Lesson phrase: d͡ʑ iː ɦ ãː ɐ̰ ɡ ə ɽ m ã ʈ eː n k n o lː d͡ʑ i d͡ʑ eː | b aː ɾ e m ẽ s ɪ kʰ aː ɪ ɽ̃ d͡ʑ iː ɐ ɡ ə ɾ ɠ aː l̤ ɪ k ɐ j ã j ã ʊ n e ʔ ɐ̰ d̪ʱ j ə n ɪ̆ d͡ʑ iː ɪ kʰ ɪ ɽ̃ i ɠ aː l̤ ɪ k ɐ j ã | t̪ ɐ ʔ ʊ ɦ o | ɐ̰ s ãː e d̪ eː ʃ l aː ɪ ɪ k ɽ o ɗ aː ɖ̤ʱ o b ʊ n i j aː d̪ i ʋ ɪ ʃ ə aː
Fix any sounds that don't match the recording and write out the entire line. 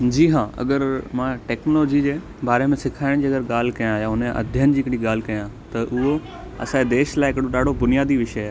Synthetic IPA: d͡ʑ iː ɦ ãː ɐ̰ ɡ ə ɾ m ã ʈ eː k n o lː d͡ʑ i d͡ʑ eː | b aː ɾ e m ẽ s ɪ kʰ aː ɪ ɽ̃ d͡ʑ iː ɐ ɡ ə ɾ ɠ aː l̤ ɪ k ɐ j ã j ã ʊ n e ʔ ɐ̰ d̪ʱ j ə n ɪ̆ d͡ʑ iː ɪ k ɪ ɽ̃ i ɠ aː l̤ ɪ k ɐ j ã | t̪ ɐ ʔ ʊ ɦ o | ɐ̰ s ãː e d̪ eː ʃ l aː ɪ ɪ k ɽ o ɗ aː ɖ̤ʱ o b ʊ n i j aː d̪ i ʋ ɪ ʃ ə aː